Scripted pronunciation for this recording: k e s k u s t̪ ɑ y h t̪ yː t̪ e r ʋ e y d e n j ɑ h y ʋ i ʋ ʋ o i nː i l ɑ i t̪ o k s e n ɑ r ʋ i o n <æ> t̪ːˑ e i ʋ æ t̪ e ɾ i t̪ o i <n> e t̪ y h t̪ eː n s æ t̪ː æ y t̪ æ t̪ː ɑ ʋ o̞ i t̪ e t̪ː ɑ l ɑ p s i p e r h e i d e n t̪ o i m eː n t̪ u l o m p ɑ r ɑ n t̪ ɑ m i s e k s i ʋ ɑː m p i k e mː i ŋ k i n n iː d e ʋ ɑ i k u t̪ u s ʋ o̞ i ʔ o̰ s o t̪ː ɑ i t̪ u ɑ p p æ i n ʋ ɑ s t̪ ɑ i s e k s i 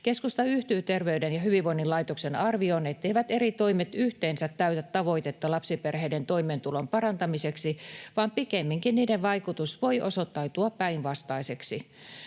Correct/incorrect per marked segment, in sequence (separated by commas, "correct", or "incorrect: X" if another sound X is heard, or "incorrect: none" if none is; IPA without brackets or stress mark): incorrect: e, incorrect: m